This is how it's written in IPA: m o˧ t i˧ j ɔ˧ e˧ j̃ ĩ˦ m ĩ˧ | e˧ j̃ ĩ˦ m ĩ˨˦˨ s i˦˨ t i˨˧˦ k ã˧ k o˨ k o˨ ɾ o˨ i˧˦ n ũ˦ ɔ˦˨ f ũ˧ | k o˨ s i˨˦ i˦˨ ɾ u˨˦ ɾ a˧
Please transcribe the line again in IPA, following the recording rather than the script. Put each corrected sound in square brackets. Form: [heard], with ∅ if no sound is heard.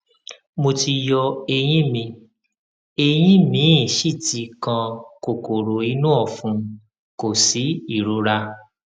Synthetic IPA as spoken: m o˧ t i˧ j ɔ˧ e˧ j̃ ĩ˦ m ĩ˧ | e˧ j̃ ĩ˦ m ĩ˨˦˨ [ʃ] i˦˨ t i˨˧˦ k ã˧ k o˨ k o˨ ɾ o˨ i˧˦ n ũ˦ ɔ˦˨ f ũ˧ | k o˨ s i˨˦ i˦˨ ɾ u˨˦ ɾ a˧